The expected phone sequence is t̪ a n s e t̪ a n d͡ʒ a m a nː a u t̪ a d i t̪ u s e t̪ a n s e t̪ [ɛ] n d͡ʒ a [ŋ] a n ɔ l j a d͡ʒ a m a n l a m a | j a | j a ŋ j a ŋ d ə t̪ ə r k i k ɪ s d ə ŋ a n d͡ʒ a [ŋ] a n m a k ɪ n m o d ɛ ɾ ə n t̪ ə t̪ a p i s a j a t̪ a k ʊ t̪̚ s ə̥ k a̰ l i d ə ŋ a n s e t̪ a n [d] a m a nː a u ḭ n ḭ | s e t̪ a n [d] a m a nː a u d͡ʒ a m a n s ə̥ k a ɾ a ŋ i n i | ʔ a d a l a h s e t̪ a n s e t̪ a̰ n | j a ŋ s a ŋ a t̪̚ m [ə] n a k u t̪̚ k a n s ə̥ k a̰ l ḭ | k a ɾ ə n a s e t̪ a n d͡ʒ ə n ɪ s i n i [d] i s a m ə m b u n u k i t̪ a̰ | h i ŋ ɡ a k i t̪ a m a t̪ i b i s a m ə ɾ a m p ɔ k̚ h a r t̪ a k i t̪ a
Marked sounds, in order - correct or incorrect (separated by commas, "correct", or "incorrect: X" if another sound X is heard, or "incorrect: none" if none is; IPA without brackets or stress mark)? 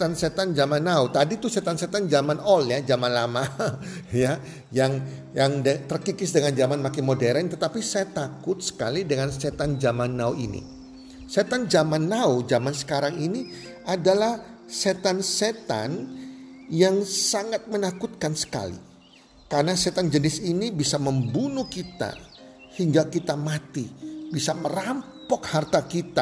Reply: incorrect: a, incorrect: m, incorrect: m, incorrect: d͡ʒ, incorrect: d͡ʒ, correct, incorrect: b